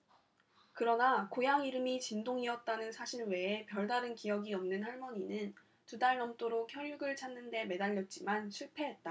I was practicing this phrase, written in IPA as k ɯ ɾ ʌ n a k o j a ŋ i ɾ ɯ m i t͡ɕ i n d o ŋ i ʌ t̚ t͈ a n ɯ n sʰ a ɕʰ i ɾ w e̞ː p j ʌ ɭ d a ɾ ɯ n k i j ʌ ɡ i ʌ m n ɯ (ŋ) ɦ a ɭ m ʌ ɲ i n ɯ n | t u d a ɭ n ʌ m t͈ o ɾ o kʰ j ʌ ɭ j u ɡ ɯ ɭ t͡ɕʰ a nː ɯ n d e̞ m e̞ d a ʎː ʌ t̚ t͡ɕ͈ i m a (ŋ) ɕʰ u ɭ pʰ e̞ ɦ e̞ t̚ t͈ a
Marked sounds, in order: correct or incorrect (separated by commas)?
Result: incorrect, incorrect